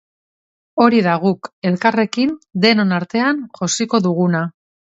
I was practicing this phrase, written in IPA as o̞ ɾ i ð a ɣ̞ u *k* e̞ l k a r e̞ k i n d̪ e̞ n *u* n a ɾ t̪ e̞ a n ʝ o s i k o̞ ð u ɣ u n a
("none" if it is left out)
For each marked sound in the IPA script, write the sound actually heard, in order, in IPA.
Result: k, o

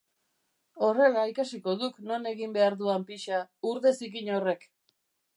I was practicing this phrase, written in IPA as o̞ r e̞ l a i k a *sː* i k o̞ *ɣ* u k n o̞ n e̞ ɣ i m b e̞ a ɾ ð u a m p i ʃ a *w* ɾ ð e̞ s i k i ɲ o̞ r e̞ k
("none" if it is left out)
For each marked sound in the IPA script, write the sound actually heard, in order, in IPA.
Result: s, ð, u

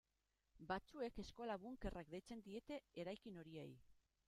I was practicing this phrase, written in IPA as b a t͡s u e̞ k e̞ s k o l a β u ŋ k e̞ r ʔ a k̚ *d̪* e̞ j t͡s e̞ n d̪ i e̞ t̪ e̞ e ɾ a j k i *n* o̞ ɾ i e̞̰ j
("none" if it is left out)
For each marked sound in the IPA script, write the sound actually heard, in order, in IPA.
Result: d̪, n

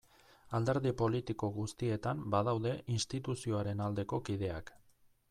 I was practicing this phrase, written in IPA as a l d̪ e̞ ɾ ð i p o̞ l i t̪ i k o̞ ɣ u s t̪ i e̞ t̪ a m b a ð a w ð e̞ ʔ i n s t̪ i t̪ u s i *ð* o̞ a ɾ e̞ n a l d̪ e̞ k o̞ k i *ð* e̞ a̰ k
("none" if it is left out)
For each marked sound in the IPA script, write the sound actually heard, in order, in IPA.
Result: none, ð

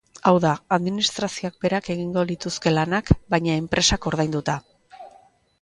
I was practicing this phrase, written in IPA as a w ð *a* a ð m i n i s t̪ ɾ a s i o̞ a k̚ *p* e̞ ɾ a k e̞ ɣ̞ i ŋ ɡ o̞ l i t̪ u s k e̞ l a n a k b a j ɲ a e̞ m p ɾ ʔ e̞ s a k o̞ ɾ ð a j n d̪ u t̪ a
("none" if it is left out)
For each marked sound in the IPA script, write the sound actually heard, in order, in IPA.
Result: a, b

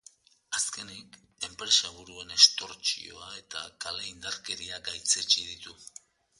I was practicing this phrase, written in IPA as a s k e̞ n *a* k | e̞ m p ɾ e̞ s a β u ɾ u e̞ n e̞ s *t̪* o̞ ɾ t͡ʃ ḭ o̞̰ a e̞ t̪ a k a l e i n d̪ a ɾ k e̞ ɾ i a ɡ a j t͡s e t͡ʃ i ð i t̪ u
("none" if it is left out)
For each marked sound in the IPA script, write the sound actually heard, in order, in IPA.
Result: i, t̪

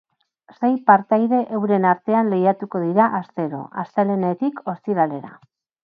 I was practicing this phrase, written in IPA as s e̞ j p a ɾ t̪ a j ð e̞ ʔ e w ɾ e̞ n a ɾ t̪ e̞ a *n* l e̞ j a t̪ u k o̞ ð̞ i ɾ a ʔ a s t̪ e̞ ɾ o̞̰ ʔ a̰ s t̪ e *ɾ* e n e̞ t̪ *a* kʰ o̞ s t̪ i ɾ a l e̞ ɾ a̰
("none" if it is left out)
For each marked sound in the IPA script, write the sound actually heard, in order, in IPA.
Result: n, l, i

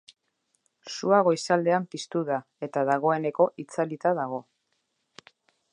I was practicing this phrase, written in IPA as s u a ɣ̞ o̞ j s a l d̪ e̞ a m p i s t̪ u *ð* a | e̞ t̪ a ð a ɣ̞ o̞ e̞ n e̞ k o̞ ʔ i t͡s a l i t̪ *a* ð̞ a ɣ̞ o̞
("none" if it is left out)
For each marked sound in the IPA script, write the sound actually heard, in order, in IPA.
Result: ð, a

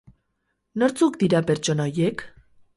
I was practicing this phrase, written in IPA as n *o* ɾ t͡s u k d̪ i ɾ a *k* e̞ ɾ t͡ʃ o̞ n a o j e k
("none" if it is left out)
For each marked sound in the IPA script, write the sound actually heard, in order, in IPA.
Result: o, p

